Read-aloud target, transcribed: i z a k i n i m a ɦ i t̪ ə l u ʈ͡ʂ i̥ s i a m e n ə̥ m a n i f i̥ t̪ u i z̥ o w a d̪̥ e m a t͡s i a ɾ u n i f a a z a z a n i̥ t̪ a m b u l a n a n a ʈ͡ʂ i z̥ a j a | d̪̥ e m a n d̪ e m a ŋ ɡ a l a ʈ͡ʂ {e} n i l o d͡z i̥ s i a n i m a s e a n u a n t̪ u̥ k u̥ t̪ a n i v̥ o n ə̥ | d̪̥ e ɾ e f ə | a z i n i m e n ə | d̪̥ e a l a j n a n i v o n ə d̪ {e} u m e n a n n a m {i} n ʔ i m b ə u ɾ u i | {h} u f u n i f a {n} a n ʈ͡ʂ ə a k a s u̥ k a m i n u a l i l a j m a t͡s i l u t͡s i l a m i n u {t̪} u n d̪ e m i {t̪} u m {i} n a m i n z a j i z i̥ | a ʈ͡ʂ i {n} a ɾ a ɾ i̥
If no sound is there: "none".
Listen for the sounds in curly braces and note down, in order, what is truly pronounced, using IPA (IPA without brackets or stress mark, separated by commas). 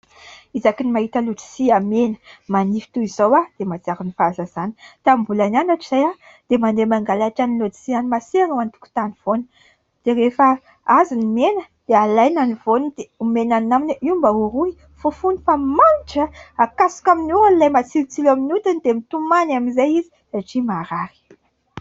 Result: a, e, i, f, m, t̪, t̪, a, m